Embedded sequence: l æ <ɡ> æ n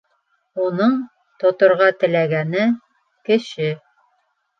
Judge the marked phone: correct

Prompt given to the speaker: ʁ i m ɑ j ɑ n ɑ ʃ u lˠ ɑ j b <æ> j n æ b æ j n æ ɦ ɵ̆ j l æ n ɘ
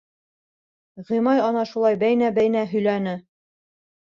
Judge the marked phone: correct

